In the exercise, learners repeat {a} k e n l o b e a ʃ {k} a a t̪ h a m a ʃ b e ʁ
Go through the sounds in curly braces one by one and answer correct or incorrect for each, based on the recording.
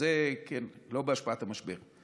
incorrect: e, incorrect: p

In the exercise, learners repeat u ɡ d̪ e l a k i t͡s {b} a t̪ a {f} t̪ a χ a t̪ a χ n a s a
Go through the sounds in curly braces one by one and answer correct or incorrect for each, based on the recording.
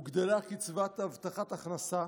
incorrect: v, incorrect: v

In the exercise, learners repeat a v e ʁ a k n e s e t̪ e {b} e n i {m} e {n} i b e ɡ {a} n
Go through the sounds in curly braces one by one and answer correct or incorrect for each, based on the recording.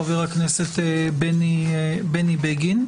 correct, incorrect: b, correct, incorrect: i

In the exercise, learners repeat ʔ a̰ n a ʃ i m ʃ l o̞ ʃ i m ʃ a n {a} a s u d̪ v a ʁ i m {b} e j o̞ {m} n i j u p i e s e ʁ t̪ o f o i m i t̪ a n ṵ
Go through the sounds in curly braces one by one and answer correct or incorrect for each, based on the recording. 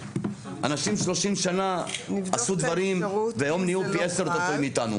correct, incorrect: v, correct

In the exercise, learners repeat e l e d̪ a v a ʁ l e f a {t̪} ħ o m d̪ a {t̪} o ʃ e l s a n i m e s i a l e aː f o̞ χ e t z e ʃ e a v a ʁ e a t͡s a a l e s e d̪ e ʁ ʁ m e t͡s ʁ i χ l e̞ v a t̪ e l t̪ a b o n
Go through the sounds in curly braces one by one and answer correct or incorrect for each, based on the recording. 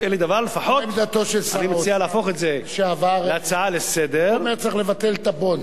incorrect: none, correct

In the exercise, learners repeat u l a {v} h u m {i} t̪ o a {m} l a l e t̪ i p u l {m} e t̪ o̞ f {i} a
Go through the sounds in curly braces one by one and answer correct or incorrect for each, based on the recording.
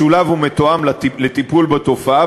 correct, incorrect: e, correct, incorrect: b, incorrect: a

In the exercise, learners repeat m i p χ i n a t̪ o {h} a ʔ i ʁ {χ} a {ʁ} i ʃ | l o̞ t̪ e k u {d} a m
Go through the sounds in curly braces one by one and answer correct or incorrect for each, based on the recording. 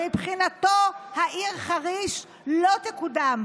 correct, correct, correct, correct

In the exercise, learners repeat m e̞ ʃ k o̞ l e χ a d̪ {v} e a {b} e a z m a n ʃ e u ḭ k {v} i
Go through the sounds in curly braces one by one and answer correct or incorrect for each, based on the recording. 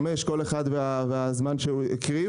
correct, incorrect: v, incorrect: ʁ

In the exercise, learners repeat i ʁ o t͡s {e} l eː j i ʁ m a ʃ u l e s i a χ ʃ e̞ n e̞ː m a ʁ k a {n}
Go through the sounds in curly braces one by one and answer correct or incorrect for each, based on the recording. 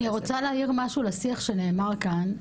incorrect: a, correct

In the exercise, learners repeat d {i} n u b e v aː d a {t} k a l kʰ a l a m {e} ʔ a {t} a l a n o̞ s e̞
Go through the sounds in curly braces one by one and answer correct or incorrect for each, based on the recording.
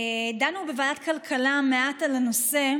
incorrect: a, correct, correct, correct

